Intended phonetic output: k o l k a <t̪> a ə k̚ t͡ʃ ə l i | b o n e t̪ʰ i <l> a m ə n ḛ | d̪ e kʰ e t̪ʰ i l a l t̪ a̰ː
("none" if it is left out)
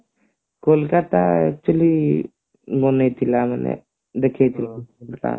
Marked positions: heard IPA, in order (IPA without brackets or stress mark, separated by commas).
t̪, l